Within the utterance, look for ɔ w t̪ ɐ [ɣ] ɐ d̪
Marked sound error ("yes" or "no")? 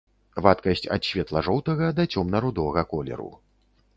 no